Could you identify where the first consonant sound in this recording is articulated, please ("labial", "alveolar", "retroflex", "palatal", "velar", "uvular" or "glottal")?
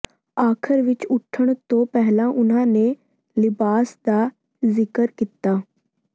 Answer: velar